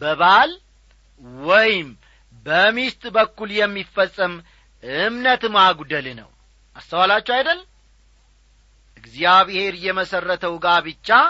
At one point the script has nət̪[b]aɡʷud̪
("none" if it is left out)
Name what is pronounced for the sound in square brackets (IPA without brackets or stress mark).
m